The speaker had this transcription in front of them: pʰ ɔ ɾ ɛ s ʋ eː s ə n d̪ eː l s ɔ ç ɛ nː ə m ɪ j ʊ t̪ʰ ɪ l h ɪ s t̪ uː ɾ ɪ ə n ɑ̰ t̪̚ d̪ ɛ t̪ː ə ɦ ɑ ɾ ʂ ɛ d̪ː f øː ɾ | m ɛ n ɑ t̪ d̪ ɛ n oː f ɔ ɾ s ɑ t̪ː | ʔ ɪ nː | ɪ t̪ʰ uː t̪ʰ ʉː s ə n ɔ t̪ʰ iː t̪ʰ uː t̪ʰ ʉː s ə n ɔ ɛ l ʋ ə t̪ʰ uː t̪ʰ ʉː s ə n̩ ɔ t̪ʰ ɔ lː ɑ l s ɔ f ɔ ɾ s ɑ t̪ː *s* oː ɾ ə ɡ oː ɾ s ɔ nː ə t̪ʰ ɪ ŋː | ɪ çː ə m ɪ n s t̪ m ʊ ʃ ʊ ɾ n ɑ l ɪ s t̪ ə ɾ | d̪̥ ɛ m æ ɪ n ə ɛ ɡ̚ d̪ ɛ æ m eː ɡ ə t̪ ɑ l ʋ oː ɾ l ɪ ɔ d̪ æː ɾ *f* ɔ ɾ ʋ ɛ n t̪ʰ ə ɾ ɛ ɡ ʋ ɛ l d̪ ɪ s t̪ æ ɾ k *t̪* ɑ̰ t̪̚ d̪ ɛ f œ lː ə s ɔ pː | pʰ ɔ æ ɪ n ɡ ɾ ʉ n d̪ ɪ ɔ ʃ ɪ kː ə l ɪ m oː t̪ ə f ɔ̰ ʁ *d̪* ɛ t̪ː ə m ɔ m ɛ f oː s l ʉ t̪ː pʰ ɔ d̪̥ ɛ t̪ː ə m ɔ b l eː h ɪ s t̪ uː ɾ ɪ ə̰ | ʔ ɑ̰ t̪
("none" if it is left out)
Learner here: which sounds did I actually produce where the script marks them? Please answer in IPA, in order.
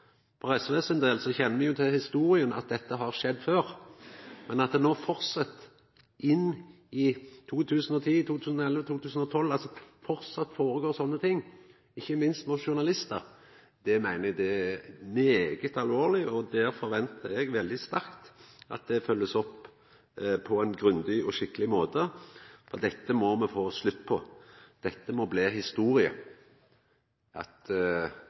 f, f, t̪, d̪

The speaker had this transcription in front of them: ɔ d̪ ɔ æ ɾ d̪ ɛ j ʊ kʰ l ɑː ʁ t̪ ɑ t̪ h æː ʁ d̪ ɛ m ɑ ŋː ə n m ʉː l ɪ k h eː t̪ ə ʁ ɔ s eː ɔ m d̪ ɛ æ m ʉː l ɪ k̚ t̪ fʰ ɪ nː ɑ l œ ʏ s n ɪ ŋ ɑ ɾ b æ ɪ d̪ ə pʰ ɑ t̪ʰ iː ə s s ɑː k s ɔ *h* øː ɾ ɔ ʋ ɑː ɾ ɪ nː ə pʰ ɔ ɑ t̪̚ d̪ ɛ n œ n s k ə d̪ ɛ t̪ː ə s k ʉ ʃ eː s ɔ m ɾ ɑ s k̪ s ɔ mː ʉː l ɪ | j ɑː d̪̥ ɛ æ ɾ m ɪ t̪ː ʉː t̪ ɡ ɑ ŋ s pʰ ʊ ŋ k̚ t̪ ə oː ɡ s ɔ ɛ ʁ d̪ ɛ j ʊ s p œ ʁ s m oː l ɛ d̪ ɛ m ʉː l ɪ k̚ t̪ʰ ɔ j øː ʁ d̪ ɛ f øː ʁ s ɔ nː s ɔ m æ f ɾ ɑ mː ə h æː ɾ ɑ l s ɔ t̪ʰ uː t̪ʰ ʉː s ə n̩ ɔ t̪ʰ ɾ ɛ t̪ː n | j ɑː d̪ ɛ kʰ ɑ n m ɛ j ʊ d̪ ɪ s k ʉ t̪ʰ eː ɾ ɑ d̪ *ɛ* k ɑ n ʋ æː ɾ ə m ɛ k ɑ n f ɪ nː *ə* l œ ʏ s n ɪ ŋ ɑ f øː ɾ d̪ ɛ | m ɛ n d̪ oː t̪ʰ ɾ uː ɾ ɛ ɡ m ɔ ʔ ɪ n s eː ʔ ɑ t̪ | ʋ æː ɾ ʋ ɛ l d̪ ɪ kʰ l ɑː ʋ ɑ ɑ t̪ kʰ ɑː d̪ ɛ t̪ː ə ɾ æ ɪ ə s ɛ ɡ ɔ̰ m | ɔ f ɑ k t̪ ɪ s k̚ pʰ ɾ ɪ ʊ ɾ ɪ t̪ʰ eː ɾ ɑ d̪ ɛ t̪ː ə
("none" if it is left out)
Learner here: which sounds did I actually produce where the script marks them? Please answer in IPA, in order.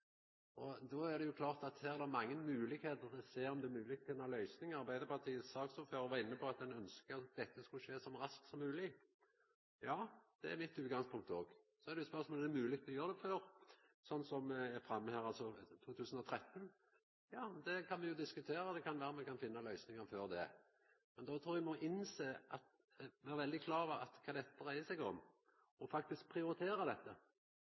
f, ɛ, ɑ

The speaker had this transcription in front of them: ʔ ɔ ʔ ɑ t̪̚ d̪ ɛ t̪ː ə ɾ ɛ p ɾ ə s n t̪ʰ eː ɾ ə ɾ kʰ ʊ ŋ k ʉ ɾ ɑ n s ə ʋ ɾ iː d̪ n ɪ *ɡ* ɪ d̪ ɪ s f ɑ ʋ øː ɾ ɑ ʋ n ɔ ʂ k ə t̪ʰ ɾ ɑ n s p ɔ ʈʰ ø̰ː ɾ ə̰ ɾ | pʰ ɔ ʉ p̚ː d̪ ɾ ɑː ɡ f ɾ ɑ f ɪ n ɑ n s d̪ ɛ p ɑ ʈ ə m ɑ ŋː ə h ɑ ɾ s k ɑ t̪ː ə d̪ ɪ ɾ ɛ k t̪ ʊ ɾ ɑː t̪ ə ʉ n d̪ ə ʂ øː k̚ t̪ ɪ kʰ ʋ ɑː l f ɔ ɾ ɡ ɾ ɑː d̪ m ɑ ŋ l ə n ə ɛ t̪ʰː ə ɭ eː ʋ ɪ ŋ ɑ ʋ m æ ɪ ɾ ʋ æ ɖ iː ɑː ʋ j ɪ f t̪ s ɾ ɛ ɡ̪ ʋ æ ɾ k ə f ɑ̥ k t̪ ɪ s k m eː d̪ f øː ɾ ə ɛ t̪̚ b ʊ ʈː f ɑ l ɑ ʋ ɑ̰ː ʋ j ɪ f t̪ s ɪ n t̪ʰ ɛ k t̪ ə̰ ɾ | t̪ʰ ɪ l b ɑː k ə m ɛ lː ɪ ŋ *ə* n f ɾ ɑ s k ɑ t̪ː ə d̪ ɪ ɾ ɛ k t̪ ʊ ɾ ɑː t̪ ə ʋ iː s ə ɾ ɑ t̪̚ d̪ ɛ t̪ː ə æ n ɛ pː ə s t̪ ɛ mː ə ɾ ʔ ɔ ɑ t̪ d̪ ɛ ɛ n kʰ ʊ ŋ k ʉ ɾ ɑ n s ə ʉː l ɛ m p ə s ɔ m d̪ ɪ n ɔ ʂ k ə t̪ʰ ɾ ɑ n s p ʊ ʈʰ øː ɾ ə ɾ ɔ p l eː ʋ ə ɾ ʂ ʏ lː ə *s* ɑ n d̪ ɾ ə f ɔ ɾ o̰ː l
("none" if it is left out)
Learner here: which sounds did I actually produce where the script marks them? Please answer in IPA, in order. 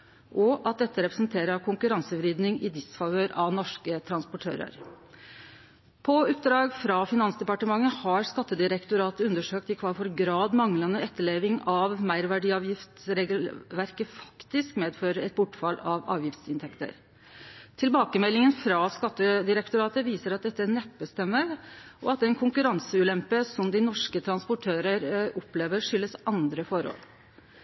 ŋ, ə, s

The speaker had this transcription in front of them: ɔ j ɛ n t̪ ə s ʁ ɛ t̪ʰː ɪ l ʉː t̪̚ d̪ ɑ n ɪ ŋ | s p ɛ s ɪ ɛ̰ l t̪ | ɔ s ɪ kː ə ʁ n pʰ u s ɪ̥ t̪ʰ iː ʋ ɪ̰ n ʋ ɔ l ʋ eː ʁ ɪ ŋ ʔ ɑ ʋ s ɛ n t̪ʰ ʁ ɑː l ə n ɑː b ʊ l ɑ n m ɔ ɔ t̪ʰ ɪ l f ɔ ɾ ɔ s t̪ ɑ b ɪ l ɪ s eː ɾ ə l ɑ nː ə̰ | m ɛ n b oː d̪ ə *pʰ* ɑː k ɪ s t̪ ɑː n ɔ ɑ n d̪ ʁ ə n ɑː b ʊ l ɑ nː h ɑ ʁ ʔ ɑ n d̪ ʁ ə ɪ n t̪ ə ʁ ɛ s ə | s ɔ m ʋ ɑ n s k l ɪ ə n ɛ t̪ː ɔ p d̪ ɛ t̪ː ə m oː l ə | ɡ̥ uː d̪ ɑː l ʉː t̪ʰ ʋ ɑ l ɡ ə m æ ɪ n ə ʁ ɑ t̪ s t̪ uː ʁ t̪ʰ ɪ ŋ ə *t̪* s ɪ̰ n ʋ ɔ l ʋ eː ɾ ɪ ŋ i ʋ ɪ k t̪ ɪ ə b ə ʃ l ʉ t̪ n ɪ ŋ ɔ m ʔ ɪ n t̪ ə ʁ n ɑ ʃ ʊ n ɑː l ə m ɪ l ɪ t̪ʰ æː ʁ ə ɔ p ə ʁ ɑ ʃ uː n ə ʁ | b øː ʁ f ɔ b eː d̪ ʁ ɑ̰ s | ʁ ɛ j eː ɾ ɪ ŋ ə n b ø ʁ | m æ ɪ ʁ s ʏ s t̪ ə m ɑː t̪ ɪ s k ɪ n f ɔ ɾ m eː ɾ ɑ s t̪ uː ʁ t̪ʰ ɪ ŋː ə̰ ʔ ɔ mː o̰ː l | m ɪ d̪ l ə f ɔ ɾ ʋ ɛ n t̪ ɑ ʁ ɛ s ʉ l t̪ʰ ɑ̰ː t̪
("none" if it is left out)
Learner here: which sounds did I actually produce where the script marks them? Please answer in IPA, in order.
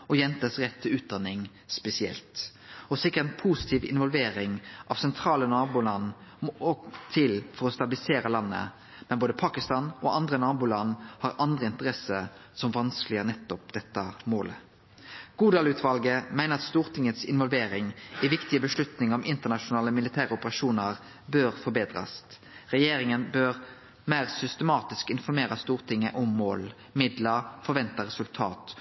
pʰ, t̪

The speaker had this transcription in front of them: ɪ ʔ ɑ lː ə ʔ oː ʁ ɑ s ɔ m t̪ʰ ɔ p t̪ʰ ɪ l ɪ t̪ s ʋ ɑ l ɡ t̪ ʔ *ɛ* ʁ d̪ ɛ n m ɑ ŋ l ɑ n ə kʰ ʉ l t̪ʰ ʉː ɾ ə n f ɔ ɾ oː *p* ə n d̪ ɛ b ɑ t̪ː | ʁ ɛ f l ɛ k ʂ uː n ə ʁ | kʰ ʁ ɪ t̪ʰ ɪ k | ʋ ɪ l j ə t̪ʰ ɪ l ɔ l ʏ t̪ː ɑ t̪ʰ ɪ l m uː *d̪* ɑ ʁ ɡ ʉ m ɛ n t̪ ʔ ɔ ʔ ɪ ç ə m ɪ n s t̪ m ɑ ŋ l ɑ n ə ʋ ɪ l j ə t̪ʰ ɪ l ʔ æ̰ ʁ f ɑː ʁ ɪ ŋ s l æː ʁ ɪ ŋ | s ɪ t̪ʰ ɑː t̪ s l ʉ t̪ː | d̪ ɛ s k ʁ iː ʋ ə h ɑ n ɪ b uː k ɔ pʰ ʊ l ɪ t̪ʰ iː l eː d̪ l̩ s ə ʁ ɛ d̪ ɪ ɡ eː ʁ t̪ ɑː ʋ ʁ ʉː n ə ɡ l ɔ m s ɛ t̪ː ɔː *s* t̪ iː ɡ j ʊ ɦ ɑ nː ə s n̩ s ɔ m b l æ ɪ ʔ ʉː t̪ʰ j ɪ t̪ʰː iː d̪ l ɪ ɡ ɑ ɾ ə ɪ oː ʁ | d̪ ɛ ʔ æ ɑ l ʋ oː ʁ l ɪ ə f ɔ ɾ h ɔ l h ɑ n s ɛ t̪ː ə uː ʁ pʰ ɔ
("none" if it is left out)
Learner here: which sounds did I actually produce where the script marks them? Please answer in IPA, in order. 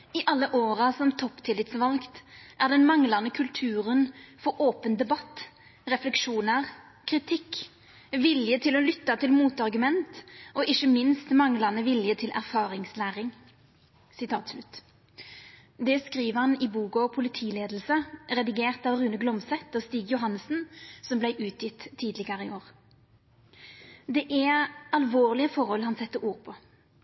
æ, p, t̪, s

